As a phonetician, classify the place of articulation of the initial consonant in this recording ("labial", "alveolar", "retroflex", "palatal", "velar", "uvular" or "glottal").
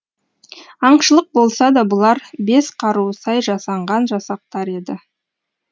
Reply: uvular